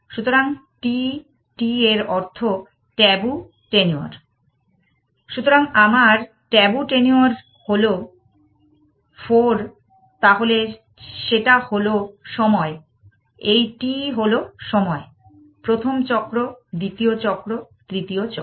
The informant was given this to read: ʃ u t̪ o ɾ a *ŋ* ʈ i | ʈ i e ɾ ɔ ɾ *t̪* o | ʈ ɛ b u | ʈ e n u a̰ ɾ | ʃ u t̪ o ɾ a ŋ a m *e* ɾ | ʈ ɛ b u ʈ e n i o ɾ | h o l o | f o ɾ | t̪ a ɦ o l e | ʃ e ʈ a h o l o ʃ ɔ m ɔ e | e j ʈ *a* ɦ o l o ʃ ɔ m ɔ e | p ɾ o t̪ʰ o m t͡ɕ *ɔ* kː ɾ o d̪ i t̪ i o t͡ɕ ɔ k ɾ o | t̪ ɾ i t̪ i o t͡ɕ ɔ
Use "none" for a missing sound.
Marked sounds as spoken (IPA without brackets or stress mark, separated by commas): ŋ, t̪ʰ, a, i, ɔ